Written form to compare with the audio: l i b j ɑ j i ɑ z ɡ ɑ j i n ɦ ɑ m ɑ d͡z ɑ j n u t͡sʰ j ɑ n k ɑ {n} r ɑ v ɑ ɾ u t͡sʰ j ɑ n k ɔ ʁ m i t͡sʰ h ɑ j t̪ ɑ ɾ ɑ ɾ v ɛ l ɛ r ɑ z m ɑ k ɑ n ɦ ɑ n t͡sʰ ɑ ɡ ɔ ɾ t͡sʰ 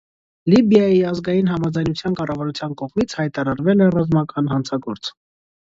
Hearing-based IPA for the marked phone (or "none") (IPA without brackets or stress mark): none